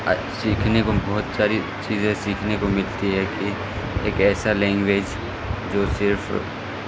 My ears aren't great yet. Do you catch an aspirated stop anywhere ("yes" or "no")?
yes